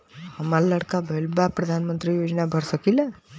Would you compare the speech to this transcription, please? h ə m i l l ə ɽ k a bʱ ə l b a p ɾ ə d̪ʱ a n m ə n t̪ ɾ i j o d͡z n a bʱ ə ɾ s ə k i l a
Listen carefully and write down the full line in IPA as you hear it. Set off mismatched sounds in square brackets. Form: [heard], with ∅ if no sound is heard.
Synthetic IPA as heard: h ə m [a] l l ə ɽ k a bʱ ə l b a p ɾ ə d̪ʱ a n m ə n t̪ ɾ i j o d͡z n a bʱ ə ɾ s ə k i l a